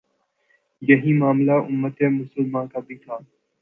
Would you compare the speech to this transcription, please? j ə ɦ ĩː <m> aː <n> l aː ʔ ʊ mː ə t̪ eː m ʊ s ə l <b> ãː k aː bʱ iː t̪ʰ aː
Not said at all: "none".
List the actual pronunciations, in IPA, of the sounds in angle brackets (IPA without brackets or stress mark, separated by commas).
m, m, m